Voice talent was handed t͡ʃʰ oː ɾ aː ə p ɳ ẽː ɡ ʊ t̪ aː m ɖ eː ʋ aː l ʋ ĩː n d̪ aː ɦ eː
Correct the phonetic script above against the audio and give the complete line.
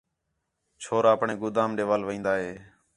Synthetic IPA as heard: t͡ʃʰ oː ɾ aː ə p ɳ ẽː ɡ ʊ d̪ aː m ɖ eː ʋ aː l ʋ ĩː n d̪ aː ɦ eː